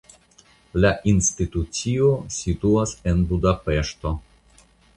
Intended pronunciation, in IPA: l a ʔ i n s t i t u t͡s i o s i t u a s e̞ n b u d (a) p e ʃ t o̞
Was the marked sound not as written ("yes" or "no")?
no